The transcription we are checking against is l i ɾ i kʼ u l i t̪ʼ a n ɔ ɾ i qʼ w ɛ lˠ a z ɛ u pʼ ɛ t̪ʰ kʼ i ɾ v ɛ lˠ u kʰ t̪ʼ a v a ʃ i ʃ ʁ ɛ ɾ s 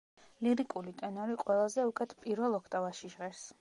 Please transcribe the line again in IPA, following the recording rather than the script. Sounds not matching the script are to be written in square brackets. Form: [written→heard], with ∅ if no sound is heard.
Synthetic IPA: l i ɾ i kʼ u l i t̪ʼ [a→ɛ] n ɔ ɾ i qʼ w ɛ lˠ a z ɛ u [pʼ→kʼ] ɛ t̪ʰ [kʼ→pʼ] i ɾ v ɛ lˠ [u→ɔ] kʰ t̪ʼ a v a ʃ i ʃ ʁ ɛ ɾ s